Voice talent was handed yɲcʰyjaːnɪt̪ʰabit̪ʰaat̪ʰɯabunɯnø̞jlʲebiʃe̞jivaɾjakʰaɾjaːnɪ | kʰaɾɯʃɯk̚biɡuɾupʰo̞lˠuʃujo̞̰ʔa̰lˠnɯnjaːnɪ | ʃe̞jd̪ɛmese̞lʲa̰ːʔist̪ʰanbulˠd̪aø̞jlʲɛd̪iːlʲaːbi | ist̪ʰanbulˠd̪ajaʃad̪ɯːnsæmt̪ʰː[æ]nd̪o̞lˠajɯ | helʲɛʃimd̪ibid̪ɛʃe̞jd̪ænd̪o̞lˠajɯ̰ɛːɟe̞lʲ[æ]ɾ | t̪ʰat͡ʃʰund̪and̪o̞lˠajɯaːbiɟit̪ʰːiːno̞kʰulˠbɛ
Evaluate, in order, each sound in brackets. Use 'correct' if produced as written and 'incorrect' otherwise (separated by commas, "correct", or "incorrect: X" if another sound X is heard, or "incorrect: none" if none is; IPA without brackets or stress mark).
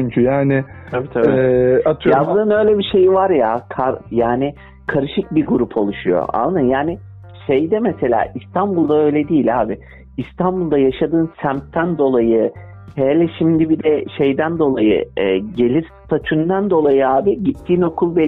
correct, incorrect: i